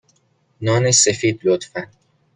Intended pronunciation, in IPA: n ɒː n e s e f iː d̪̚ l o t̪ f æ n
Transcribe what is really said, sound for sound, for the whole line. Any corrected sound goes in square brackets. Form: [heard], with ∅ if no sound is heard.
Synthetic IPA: n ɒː n e s e f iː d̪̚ l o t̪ f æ n